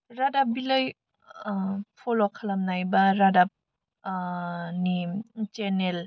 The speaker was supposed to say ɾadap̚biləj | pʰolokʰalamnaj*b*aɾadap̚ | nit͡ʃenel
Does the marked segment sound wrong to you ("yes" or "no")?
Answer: no